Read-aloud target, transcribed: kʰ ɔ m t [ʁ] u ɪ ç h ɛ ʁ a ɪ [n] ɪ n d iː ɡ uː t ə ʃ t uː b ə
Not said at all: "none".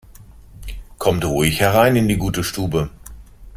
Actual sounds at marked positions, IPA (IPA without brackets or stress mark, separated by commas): ʁ, n